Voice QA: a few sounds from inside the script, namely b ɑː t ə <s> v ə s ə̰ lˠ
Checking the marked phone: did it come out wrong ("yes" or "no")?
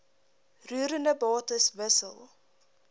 no